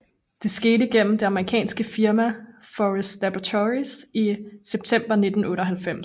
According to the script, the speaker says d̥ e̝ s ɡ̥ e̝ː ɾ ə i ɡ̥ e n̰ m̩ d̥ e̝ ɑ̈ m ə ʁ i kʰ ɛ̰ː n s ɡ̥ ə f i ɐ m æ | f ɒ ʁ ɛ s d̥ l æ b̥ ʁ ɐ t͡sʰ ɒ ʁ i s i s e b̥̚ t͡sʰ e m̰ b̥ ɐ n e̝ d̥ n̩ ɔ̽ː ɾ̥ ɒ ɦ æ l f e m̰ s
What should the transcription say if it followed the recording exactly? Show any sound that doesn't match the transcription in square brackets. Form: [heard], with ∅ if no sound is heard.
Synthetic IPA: d̥ e̝ s ɡ̥ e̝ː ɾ ə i ɡ̥ e n̰ m̩ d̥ e̝ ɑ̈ m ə ʁ i kʰ ɛ̰ː n s ɡ̥ ə f i ɐ m æ | f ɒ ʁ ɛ s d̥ l æ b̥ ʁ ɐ t͡sʰ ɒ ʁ i s i s e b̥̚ t͡sʰ e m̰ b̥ ɐ n e̝ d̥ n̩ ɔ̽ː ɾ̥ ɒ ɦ æ l f e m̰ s